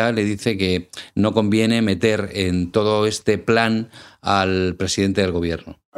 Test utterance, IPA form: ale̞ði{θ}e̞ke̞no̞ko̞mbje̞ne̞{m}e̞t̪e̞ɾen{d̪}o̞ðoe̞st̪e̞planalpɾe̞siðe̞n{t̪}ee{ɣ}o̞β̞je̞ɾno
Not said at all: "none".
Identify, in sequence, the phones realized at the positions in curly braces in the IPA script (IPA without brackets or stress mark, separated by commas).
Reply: θ, m, t̪, t̪, ɣ